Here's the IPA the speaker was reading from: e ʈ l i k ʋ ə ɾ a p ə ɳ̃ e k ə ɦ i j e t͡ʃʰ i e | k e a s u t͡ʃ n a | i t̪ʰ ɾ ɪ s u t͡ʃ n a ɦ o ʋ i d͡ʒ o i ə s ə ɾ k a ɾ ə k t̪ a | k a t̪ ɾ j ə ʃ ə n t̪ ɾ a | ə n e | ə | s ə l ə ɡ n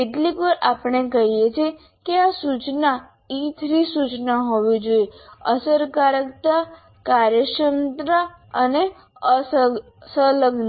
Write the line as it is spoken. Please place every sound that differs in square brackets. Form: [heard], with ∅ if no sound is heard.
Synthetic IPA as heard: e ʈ l i k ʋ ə ɾ a p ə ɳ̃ e k ə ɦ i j e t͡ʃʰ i e | k e a s u t͡ʃ n a | i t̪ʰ ɾ [i] s u t͡ʃ n a ɦ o ʋ i d͡ʒ o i ə s ə ɾ k a ɾ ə k t̪ a | k a [∅] ɾ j ə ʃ ə n t̪ ɾ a | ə n e | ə | s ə l ə ɡ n